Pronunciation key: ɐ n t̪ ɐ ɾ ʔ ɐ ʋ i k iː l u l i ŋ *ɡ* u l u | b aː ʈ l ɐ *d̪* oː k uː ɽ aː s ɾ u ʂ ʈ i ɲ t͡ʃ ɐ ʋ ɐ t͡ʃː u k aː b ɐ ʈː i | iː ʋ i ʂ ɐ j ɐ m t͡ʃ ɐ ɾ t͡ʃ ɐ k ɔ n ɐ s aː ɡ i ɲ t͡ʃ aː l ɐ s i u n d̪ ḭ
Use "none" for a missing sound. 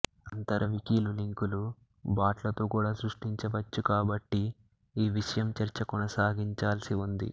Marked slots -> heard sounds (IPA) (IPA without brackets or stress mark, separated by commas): k, t̪